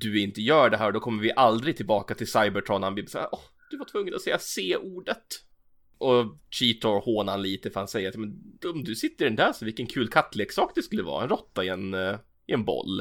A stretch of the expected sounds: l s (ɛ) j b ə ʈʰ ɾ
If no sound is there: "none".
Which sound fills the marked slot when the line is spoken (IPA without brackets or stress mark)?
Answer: a